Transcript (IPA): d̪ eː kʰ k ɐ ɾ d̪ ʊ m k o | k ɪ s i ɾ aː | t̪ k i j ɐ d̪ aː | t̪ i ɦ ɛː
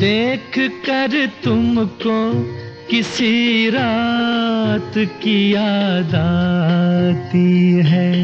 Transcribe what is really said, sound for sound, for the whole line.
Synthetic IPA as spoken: d̪ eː kʰ k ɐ ɾ t̪ ʊ m k o | k ɪ s i ɾ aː | t̪ k i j a d̪ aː | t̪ i ɦ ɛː